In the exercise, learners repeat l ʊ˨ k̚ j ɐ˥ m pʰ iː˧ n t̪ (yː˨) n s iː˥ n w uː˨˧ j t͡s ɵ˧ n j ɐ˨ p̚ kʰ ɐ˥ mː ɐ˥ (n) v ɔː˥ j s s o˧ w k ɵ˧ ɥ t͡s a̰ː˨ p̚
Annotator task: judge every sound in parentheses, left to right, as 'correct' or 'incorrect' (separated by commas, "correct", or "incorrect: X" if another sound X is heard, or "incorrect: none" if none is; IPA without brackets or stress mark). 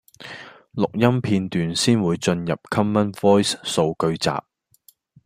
correct, correct